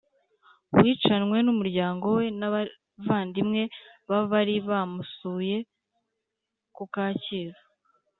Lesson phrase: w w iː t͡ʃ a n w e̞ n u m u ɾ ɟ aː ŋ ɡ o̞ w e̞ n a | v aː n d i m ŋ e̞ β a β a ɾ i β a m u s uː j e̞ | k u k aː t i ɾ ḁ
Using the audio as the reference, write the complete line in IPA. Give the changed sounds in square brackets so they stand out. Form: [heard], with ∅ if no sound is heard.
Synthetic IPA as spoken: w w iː t͡ʃ a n w e̞ n u m u ɾ ɟ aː ŋ ɡ o̞ w e̞ n a | v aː n d i m ŋ e̞ β a β a ɾ i β a m u s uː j e̞ | k u k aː [c] i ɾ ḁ